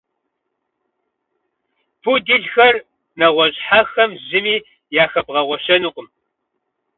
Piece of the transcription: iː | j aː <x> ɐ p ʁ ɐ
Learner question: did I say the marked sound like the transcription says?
yes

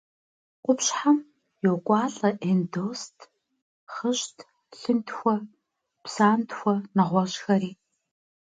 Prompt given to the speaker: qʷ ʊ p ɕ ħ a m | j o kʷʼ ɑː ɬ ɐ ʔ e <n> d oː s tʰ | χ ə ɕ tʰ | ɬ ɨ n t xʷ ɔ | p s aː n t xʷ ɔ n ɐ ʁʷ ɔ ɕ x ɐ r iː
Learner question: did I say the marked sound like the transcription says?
yes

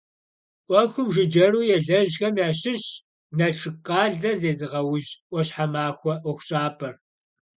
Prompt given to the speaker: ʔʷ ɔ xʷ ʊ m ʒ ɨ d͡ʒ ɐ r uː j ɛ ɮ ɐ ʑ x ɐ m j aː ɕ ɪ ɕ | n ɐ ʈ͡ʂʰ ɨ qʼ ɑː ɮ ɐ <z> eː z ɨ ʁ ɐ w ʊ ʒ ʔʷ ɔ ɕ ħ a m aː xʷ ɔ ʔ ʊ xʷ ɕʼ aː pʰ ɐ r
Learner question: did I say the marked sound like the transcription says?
yes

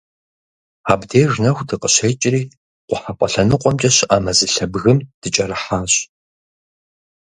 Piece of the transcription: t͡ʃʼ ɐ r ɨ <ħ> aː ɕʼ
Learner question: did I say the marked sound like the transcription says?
yes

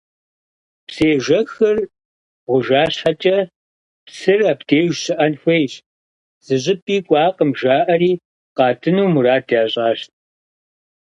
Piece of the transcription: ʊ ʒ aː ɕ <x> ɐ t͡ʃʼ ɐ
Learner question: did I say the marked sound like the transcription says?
no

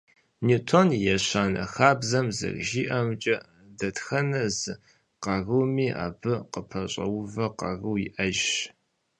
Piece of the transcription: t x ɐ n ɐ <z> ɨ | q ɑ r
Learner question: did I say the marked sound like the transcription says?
yes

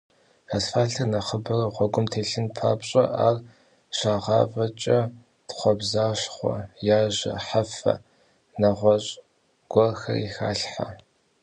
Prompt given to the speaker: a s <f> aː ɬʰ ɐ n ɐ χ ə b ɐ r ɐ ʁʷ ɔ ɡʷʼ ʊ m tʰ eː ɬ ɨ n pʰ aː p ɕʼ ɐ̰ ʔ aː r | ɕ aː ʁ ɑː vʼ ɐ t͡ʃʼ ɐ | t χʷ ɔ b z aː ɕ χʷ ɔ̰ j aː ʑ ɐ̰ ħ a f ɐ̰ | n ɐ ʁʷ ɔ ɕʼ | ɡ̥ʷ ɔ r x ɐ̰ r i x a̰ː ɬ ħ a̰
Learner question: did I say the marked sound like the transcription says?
yes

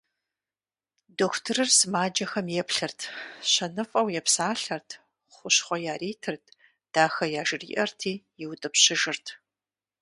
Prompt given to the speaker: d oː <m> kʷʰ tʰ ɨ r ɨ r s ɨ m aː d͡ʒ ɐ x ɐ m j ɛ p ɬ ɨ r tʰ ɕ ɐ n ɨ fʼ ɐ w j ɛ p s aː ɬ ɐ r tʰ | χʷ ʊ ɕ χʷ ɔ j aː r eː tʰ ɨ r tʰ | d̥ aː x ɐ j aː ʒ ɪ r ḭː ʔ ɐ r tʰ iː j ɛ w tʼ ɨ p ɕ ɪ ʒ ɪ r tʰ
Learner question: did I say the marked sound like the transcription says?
no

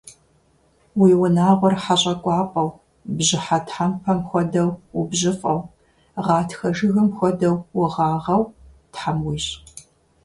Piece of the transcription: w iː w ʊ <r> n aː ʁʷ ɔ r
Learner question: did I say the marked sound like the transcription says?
no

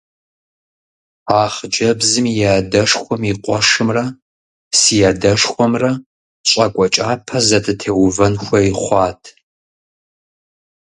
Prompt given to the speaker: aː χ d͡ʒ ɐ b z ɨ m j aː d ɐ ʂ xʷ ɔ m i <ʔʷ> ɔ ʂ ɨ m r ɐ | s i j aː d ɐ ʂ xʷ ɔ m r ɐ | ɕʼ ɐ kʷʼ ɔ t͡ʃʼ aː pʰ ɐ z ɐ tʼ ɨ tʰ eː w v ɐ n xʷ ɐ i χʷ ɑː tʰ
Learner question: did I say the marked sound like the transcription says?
no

